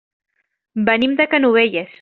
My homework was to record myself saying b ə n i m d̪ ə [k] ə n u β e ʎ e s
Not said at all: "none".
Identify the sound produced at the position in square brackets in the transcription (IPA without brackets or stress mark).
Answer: k